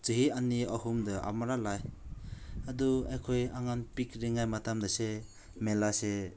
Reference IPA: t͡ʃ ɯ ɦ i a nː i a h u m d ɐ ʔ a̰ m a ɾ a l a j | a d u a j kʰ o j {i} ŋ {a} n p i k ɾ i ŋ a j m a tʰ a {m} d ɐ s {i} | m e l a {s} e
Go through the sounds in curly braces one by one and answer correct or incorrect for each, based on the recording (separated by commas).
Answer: incorrect, correct, correct, incorrect, correct